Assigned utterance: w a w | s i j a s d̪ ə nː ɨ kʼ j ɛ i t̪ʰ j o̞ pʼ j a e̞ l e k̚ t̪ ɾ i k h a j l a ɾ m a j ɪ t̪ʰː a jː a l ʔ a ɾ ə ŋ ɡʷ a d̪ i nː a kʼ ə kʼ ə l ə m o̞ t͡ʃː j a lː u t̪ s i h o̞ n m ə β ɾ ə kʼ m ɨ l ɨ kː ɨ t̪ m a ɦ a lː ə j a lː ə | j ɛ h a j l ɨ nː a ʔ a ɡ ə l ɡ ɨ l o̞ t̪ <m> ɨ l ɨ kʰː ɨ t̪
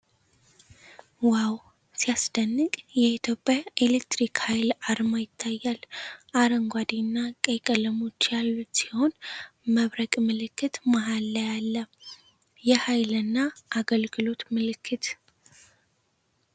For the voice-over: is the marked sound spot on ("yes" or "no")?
yes